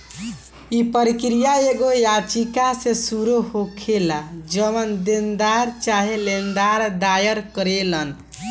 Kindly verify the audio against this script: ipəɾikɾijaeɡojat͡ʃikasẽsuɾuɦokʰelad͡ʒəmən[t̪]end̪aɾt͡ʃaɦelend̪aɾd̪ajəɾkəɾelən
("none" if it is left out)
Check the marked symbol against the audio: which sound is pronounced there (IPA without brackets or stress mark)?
d̪